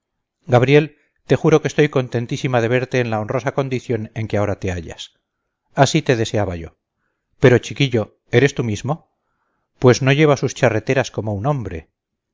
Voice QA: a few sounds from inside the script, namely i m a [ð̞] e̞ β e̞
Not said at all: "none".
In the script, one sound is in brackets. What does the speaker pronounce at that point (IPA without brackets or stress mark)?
ð̞